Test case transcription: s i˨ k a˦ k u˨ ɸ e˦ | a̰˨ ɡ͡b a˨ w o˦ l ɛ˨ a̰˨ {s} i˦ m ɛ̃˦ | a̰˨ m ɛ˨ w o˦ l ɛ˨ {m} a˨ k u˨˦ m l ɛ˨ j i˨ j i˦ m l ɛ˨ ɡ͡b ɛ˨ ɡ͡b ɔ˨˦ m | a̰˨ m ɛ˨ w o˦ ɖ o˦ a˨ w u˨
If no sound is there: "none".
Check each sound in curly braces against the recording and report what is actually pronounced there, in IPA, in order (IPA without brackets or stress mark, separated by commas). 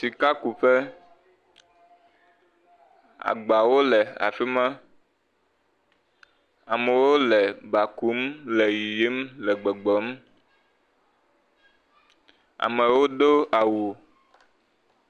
f, b